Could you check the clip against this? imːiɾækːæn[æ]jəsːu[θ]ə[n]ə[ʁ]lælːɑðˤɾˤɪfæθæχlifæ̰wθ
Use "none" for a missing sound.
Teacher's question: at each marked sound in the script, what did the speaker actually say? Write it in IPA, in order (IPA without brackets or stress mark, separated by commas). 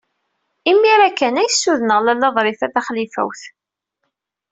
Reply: æ, ð, n, ʁ